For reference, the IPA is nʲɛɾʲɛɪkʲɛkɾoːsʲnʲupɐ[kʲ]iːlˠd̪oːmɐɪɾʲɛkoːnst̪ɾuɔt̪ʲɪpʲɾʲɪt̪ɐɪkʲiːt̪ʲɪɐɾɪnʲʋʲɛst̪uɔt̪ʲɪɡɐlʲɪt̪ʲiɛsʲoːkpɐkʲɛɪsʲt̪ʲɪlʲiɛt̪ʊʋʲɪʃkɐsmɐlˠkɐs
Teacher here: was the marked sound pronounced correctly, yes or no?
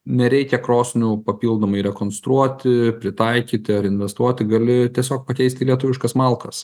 no